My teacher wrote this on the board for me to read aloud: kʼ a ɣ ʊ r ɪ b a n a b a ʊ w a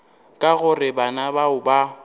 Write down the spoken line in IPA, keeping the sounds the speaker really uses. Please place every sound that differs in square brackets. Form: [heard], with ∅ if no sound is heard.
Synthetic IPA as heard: kʼ a ɣ ʊ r ɪ b a n a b a ʊ [b] a